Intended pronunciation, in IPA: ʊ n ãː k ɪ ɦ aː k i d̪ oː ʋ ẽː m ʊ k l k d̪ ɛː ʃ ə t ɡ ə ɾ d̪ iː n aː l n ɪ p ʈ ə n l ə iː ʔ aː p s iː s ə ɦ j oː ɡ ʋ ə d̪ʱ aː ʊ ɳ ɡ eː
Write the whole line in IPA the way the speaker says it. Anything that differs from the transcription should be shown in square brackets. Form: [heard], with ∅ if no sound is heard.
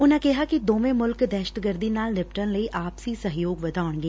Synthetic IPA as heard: ʊ n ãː k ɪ ɦ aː k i d̪ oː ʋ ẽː m ʊ [∅] l k d̪ ɛː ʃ ə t ɡ ə ɾ d̪ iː n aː l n ɪ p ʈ ə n l ə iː ʔ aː p s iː s ə ɦ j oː ɡ ʋ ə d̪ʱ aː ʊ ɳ ɡ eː